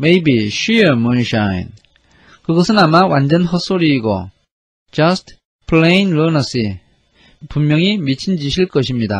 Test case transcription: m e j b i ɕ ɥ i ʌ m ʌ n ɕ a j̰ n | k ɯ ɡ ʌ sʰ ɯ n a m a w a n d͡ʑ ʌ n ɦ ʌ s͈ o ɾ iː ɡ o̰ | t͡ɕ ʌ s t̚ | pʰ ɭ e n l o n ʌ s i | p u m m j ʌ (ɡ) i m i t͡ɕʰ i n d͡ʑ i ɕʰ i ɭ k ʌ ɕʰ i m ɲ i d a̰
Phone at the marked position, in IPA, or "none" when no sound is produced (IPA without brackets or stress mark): ŋ